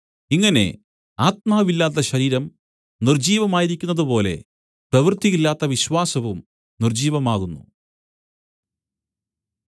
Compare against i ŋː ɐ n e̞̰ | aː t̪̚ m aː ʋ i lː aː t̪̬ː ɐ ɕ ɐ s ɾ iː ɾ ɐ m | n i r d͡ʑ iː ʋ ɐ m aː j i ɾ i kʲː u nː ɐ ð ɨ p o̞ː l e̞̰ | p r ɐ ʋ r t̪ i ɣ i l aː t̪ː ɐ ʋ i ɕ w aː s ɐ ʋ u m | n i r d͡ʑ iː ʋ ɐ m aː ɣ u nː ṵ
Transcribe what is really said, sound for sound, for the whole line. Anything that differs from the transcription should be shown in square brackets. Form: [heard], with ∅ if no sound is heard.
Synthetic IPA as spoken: i ŋː ɐ n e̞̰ | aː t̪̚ m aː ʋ i lː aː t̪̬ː ɐ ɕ ɐ [∅] ɾ iː ɾ ɐ m | n i r d͡ʑ iː ʋ ɐ m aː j i ɾ i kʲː u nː ɐ ð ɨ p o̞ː l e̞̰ | p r ɐ ʋ r t̪ i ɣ i [lː] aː t̪ː ɐ ʋ i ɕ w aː s ɐ ʋ u m | n i r d͡ʑ iː ʋ ɐ m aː ɣ u nː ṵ